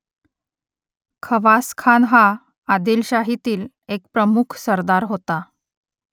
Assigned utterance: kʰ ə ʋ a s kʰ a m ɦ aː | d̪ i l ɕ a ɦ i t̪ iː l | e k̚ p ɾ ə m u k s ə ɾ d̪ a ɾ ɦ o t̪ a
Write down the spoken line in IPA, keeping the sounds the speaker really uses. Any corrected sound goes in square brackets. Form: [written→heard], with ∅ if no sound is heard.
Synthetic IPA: kʰ ə ʋ a s kʰ a [m→n] ɦ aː | d̪ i l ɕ a ɦ i t̪ iː l | e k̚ p ɾ ə m u [k→kʰ] s ə ɾ d̪ a ɾ ɦ o t̪ a